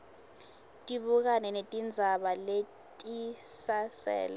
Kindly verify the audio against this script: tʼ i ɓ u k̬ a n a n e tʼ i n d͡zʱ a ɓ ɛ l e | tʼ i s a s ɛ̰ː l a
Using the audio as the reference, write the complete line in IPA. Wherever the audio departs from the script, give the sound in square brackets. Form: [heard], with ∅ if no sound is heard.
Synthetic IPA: tʼ i ɓ u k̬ a n [ɛ] n e tʼ i n d͡zʱ a ɓ [a] l e | tʼ i s a s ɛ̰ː l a